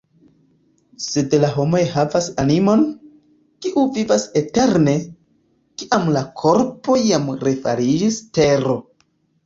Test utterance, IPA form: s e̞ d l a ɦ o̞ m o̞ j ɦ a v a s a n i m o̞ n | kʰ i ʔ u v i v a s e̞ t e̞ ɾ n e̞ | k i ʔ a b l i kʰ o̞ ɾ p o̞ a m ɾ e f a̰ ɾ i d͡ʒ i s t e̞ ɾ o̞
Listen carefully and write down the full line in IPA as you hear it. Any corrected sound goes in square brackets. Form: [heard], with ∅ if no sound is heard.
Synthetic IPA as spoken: s e̞ d l a ɦ o̞ m o̞ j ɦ a v a s a n i m o̞ n | [k] i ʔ u v i v a s e̞ t e̞ ɾ n e̞ | k i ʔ a [m] l [a] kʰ o̞ ɾ p o̞ a m ɾ e f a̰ ɾ i d͡ʒ i s t e̞ ɾ o̞